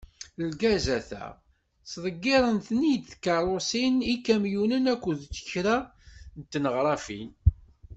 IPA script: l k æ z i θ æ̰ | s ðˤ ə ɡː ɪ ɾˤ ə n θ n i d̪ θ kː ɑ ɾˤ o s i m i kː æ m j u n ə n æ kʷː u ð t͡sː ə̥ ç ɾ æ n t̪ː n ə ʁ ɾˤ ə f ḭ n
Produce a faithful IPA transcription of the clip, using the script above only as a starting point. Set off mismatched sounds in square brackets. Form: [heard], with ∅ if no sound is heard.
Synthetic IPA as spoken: l [ɡ] æ z [æ] θ æ̰ | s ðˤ ə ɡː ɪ ɾˤ ə n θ n i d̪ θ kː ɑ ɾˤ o s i [n] i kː æ m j u n ə n æ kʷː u ð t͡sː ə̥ ç ɾ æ n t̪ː n ə ʁ ɾˤ [ɑ] f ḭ n